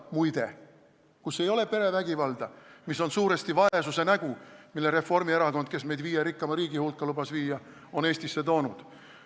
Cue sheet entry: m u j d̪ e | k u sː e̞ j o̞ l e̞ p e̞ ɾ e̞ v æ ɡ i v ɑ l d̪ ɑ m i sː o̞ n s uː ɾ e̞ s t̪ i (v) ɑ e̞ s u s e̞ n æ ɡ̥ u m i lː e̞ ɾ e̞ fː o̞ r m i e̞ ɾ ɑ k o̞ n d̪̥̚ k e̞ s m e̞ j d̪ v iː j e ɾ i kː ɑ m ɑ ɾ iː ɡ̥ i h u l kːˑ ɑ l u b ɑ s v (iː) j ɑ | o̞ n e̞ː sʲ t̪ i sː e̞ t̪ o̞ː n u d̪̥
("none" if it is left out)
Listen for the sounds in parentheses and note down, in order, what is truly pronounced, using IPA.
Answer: v, iː

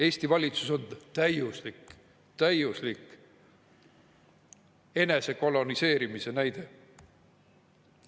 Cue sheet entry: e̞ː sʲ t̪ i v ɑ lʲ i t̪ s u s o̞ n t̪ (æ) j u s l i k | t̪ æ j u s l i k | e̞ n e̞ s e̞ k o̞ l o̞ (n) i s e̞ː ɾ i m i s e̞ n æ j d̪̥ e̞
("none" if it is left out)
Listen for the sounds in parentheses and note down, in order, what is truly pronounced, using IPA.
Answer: æ, n

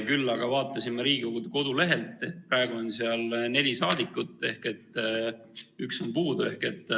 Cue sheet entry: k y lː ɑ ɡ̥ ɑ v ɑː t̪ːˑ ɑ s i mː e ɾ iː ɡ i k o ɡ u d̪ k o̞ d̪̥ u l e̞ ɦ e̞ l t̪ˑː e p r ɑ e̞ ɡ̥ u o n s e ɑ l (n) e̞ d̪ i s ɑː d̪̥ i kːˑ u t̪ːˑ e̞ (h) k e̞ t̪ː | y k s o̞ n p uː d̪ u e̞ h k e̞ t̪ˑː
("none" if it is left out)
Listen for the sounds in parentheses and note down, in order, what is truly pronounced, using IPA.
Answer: n, h

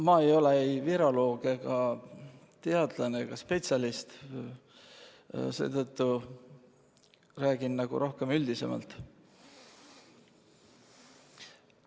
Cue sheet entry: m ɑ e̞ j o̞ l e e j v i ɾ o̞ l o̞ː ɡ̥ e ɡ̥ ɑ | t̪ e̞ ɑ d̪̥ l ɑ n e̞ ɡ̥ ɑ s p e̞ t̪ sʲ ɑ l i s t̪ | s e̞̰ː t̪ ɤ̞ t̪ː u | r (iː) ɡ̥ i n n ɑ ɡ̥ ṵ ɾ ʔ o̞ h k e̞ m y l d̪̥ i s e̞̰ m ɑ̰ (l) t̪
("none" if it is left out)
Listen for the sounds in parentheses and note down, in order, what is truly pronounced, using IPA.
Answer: æː, l

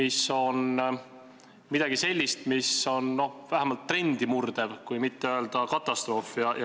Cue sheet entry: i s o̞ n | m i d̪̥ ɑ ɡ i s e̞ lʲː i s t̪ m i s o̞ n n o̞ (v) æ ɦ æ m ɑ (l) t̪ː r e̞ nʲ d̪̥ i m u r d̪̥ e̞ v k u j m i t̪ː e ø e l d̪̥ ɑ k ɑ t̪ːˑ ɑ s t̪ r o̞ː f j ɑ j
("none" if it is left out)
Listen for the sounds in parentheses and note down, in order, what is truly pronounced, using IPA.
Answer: v, l

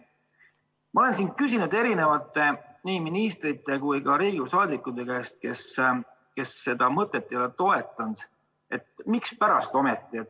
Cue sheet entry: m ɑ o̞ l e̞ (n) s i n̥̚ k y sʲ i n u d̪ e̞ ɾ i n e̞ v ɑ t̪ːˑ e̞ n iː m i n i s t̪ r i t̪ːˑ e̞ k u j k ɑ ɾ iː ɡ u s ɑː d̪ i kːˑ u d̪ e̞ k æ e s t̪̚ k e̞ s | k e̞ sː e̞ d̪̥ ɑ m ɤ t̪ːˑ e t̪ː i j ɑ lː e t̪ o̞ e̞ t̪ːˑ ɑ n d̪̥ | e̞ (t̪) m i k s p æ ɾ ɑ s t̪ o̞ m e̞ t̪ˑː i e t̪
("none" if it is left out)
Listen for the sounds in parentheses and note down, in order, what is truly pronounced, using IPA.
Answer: n, t̪

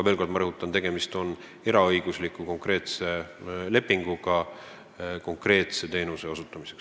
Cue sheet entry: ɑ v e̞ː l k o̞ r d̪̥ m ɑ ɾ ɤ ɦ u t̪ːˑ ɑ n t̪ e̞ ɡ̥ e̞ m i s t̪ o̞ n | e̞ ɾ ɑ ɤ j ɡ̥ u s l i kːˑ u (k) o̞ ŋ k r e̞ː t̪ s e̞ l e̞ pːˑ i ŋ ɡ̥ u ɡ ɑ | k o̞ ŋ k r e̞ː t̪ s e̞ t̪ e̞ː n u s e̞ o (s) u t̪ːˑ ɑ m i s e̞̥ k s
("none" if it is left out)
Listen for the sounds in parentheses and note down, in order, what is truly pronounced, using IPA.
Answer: k, s

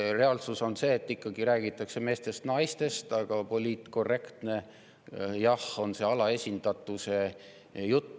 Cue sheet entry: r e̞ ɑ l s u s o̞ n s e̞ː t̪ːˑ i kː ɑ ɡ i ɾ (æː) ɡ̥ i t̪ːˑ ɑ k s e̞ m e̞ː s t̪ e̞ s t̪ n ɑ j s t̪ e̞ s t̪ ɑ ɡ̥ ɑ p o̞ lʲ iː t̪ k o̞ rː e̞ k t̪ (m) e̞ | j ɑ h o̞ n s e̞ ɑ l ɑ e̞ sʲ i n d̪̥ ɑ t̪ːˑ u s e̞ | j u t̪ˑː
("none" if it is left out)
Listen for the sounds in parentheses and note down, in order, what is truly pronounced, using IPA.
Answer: æː, n

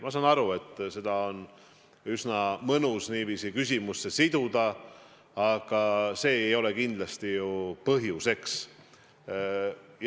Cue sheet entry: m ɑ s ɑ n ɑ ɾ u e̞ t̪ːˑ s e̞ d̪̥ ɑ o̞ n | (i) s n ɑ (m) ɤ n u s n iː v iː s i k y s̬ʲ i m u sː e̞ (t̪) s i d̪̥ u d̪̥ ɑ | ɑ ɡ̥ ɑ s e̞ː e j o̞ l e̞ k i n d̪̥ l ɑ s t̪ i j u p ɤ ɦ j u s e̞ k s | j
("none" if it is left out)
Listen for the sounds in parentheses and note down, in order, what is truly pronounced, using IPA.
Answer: y, m, none

